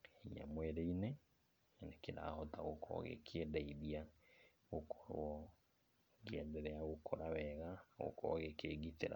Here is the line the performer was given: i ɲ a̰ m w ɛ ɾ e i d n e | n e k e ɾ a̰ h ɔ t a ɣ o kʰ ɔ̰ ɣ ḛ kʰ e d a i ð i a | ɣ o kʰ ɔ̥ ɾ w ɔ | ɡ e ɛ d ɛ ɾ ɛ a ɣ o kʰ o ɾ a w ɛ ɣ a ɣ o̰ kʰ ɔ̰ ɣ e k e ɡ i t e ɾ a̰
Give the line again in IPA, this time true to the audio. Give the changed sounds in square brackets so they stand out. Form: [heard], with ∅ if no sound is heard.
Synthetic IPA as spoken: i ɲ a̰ m w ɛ ɾ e i [∅] n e | n e k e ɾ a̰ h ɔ t a ɣ o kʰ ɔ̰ ɣ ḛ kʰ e d a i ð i a | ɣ o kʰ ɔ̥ ɾ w ɔ | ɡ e ɛ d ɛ ɾ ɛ a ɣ o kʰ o ɾ a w ɛ ɣ a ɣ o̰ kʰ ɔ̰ ɣ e k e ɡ i t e ɾ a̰